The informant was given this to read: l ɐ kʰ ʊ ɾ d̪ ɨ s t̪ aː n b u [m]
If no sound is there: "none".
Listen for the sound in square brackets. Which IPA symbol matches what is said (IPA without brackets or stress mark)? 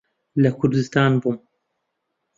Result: m